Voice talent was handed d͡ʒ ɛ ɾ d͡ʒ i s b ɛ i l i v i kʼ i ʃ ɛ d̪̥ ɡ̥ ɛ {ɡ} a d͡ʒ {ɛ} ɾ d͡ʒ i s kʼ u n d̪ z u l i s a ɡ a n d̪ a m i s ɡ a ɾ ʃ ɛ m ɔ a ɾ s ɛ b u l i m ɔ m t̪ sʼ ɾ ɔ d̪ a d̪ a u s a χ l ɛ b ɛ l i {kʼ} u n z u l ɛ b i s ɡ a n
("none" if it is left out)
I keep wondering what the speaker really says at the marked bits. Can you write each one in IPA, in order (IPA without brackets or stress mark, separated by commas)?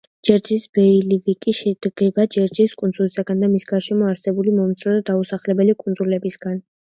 b, ɛ, kʼ